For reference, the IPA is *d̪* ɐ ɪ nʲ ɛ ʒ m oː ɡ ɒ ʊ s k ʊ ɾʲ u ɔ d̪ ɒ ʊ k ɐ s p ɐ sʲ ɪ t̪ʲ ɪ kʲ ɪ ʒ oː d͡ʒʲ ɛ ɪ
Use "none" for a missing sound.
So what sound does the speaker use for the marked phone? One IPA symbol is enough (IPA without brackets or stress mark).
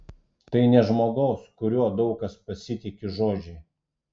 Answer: t̪